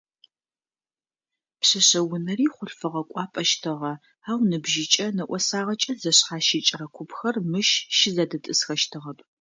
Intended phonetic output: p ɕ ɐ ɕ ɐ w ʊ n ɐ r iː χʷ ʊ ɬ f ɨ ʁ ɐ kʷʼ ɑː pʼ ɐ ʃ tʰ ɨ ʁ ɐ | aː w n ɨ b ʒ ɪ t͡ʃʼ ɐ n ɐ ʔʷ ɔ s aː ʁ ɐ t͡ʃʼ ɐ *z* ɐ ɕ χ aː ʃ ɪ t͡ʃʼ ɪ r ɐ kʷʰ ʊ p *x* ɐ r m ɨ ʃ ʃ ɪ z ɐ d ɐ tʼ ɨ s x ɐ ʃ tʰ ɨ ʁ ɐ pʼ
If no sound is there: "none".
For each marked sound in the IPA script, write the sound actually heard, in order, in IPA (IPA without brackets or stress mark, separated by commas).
z, x